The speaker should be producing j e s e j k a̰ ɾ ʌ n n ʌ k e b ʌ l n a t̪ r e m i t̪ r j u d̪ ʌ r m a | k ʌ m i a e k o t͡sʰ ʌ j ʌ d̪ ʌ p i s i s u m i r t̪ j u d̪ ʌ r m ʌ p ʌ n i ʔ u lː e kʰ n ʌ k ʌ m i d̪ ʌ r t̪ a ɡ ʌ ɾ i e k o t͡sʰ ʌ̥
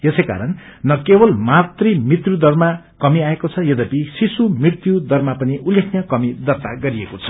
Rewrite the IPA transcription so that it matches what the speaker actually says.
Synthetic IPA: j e s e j k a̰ ɾ ʌ n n ʌ k e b ʌ l m a t̪ r i m i t̪ r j u d̪ ʌ r m a | k ʌ m i a e k o t͡sʰ ʌ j ʌ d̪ ʌ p i s i s u m i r t̪ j u d̪ ʌ r m a p ʌ n i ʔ u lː e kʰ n ʌ k ʌ m i d̪ ʌ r t̪ a ɡ ʌ ɾ i e k o t͡sʰ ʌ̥